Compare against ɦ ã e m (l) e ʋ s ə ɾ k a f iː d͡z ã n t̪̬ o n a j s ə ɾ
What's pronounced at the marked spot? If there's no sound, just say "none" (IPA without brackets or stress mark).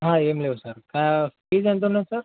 l